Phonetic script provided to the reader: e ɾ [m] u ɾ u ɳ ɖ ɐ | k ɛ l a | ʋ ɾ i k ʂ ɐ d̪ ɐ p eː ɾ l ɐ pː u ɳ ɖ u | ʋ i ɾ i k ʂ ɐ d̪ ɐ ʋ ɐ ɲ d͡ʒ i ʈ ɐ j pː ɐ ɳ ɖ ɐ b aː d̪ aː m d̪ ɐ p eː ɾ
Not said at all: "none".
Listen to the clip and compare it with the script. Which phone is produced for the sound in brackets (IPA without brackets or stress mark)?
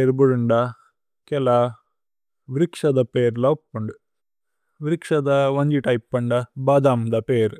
b